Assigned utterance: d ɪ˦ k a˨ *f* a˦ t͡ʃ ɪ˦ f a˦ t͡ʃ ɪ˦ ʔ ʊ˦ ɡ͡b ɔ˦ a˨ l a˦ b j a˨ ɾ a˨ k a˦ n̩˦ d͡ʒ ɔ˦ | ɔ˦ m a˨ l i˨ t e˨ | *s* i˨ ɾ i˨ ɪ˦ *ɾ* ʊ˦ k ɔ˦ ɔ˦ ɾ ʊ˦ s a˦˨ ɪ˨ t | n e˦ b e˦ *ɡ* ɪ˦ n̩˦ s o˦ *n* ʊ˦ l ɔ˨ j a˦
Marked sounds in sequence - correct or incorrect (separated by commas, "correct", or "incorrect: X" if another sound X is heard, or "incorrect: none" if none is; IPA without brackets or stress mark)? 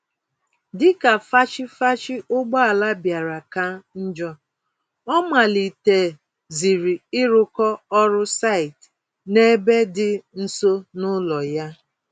correct, incorrect: z, correct, incorrect: d, correct